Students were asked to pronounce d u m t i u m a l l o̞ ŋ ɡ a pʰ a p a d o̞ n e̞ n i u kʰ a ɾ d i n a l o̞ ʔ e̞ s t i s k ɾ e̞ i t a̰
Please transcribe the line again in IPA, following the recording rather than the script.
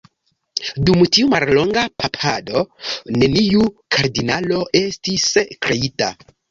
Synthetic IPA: d u m t i u m a l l o̞ ŋ ɡ a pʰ a pʰ a d o̞ n e̞ n i u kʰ a ɾ d i n a l o̞ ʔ e̞ s t i s k ɾ e̞ i t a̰